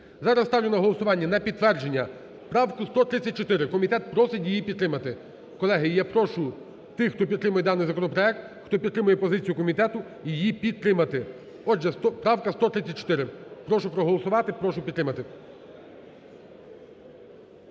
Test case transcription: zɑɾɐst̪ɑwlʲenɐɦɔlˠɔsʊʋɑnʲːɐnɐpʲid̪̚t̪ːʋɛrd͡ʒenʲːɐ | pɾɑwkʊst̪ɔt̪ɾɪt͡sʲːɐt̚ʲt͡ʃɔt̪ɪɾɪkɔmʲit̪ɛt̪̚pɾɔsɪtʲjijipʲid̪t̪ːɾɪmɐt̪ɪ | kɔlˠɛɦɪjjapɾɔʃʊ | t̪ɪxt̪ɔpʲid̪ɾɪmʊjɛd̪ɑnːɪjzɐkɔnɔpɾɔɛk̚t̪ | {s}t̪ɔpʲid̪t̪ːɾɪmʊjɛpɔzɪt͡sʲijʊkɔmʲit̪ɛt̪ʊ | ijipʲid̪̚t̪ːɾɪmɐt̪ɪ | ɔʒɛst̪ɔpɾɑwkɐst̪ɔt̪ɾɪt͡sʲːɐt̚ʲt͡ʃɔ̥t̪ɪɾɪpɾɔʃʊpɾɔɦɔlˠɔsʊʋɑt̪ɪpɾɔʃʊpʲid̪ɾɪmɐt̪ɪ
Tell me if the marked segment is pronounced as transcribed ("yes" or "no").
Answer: no